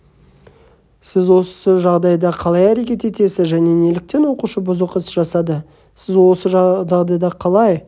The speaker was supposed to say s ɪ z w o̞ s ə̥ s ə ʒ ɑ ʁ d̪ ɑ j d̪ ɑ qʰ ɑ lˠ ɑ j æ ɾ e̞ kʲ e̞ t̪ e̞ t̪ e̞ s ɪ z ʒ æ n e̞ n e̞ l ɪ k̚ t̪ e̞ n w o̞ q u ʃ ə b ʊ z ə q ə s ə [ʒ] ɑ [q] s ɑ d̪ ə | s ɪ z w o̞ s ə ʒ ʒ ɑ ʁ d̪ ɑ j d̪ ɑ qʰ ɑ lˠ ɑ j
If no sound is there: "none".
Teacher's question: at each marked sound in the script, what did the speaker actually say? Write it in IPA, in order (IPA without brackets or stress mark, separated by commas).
ʒ, none